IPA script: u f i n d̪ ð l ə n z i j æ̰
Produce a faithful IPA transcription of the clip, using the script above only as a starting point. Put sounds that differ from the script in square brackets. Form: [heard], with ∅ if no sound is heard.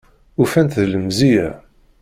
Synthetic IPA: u f [æ] n [t̪] ð l ə [m] z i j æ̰